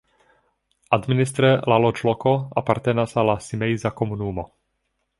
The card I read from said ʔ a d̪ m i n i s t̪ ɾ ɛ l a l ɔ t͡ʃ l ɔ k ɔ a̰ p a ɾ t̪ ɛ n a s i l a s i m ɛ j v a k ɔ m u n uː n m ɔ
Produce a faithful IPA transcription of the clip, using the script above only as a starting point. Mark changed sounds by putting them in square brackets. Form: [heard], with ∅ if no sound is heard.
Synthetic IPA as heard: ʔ a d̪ m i n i s t̪ ɾ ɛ l a l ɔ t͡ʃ l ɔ k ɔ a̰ p a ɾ t̪ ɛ n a s [a] l a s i m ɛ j [z] a k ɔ m u n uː [∅] m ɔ

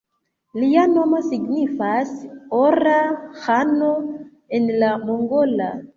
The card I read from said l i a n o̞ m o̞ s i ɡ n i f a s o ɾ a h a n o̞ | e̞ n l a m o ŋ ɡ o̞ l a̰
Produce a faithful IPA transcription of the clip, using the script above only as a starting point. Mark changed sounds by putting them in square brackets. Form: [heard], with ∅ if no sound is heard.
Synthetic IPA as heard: l i a n o̞ m o̞ s i ɡ n i f a s o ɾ a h a n o̞ | e̞ n l a m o ŋ ɡ o̞ l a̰

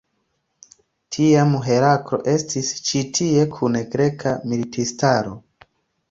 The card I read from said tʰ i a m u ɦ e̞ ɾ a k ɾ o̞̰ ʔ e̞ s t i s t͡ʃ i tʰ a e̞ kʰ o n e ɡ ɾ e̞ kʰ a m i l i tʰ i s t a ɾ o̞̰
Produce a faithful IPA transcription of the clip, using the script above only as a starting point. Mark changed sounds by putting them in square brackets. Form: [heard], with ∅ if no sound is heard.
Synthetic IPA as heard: tʰ i a m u ɦ e̞ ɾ a k ɾ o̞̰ ʔ e̞ s t i s t͡ʃ i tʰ [i] e̞ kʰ [u] n e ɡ ɾ e̞ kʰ a m i l i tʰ i s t a ɾ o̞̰

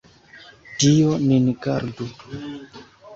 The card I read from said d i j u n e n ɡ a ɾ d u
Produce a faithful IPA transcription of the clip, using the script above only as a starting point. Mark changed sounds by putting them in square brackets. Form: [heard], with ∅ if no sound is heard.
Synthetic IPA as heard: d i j [o] n [i] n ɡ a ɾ d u

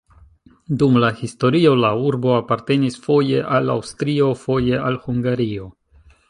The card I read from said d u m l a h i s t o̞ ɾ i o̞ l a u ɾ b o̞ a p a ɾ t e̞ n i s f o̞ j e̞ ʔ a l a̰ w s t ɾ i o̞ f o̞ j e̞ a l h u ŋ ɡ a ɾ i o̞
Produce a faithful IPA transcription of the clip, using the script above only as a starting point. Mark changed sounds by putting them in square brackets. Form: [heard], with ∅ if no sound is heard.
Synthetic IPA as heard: d u m l a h i s t o̞ ɾ i o̞ l a u ɾ b o̞ a p a ɾ t e̞ n i s f o̞ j e̞ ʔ a l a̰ w s t ɾ i o̞ f o̞ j e̞ a l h u ŋ ɡ a ɾ i o̞

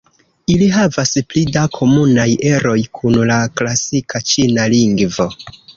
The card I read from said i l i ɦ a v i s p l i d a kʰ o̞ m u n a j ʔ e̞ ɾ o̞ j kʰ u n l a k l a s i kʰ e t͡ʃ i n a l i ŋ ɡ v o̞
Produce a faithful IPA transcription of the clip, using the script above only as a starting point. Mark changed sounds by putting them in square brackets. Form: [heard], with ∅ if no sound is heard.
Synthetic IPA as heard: i l i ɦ a v [a] s p l i d a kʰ o̞ m u n a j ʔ e̞ ɾ o̞ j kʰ u n l a k l a s i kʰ [a] t͡ʃ i n a l i ŋ ɡ v o̞

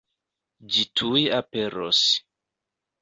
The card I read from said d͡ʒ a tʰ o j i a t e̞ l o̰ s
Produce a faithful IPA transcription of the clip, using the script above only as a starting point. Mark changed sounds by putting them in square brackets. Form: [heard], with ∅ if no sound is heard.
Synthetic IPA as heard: d͡ʒ [i] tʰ [u] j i a [p] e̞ [ɾ] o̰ s

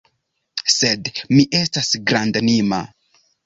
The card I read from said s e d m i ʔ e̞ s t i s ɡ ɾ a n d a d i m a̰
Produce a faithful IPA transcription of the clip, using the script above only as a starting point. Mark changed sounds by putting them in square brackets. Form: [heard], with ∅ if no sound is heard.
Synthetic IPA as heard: s e d m i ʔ e̞ s t [a] s ɡ ɾ a n d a [n] i m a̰

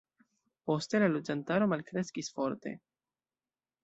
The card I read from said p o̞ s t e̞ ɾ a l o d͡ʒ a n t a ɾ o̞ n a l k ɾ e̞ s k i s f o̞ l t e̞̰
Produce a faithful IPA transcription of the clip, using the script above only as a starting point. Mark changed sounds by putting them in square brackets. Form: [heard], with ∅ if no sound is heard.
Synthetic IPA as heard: p o̞ s t e̞ [l] a l o d͡ʒ a n t a ɾ o̞ [m] a l k ɾ e̞ s k i s f o̞ [ɾ] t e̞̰

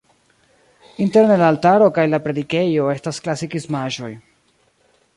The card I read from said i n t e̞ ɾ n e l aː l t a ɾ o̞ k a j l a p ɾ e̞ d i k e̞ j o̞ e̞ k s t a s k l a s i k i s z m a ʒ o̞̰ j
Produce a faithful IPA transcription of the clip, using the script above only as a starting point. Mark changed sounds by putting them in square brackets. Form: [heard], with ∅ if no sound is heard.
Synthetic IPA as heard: i n t e̞ ɾ n e l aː l t a ɾ o̞ k a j l a p ɾ e̞ d i k e̞ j o̞ e̞ [∅] s t a s k l a s i k i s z m a ʒ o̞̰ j

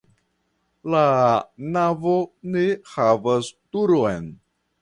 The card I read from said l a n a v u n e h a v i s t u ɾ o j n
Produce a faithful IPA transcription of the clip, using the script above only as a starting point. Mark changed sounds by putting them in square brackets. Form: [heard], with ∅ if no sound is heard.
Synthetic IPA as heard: l a n a v [o] n e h a v [a] s t u ɾ o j n

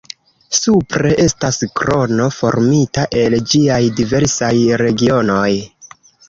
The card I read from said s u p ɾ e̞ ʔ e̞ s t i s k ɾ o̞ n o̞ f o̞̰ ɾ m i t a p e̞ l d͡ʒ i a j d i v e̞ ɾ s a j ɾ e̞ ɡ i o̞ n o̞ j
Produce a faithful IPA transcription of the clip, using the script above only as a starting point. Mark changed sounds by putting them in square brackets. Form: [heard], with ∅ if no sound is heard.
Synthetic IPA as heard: s u p ɾ e̞ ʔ e̞ s t [a] s k ɾ o̞ n o̞ f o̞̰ ɾ m i t a [ʔ] e̞ l d͡ʒ i a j d i v e̞ ɾ s a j ɾ e̞ ɡ i o̞ n o̞ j

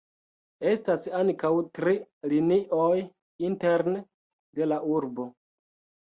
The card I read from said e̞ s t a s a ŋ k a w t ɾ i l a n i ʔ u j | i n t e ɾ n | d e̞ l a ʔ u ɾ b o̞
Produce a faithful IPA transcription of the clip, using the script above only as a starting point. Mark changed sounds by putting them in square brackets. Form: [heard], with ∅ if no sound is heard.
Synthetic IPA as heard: e̞ s t a s a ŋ k a w t ɾ i l [i] n i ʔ [o] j | i n t e ɾ n | d e̞ l a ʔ u ɾ b o̞

